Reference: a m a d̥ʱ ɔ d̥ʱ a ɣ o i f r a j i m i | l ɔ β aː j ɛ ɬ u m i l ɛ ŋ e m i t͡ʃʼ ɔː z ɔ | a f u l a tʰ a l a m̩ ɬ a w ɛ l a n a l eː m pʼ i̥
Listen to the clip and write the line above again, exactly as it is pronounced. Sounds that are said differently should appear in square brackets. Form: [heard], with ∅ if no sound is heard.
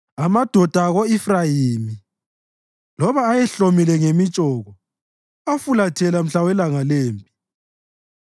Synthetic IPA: a m a d̥ʱ ɔ d̥ʱ a ɣ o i f r a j i m i | l ɔ β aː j ɛ ɬ [o] m i l ɛ ŋ e m i t͡ʃʼ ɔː [ɣ] ɔ | a f u l a tʰ [ɛ] l a m̩ ɬ a w ɛ l a [ŋ] a l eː m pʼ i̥